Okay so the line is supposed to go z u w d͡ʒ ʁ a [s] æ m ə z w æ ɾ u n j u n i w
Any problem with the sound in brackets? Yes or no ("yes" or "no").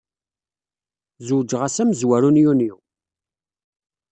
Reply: no